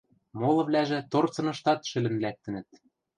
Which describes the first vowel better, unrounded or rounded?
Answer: rounded